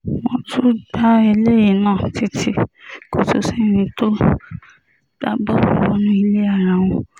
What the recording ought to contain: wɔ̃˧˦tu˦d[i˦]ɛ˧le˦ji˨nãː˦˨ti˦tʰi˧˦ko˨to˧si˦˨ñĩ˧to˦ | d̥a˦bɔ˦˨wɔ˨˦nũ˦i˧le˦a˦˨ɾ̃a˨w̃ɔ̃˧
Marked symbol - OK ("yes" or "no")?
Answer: no